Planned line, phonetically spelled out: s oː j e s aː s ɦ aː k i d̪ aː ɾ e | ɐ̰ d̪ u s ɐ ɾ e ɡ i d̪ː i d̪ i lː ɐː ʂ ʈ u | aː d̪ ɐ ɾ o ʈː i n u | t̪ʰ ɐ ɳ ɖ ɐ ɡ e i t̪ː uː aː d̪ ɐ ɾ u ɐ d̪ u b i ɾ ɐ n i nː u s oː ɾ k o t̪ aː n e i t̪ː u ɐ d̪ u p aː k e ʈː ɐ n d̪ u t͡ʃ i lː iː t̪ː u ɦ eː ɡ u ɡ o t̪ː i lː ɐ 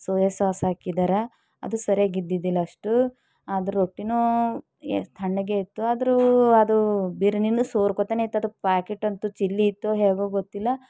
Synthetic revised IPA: s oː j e s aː s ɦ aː k i d̪ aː ɾ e | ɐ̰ d̪ u s ɐ ɾ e ɡ i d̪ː i d̪ i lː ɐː ʂ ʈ u | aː d̪ ɐ ɾ o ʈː i n u | t̪ʰ ɐ ɳ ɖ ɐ ɡ e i t̪ː u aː d̪ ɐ ɾ u ɐ d̪ u b i ɾ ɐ n i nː u s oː ɾ k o t̪ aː n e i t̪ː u ɐ d̪ u p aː k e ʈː ɐ n t̪ u t͡ʃ i lː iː t̪ː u ɦ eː ɡ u ɡ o t̪ː i lː ɐ